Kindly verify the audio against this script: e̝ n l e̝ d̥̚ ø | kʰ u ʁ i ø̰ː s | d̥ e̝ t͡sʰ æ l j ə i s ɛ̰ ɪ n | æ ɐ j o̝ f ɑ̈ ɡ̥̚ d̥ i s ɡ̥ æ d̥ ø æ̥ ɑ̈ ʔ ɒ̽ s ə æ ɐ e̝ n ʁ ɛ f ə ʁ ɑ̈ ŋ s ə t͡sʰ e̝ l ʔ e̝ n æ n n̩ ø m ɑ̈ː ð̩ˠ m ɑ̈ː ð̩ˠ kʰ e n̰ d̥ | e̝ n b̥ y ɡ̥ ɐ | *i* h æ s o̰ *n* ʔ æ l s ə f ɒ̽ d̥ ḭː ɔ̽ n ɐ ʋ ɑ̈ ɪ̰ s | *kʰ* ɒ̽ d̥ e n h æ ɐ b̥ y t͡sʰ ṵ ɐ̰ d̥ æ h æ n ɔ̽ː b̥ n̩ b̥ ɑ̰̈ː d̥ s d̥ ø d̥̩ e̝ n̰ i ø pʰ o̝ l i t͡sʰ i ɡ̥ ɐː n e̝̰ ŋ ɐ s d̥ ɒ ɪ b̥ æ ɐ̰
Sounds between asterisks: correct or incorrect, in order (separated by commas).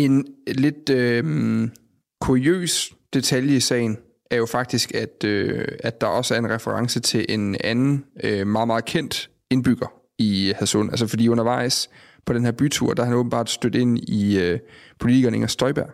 correct, correct, incorrect